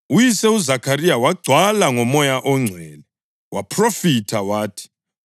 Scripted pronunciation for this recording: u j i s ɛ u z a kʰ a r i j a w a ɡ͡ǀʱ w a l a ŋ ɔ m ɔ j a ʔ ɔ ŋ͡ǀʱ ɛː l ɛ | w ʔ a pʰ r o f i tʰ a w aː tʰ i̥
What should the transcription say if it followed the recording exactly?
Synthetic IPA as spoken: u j i s ɛ u z a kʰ a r i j a w a ɡ͡ǀʱ w a l a ŋ ɔ m ɔ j a ʔ ɔ ŋ͡ǀʱ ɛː l ɛ | w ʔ a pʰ r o f i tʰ a w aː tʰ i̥